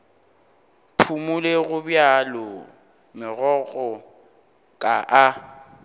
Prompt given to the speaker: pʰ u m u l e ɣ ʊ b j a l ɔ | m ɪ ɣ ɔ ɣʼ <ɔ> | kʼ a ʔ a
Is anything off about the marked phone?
no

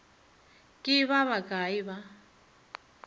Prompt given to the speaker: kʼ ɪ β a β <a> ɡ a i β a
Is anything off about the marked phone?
no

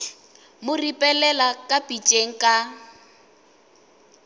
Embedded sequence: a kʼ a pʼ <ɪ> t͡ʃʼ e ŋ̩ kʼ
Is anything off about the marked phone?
yes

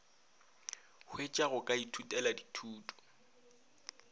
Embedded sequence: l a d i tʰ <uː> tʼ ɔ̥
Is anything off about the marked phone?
no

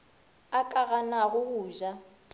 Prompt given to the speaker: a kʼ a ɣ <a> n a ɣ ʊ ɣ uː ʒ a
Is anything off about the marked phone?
no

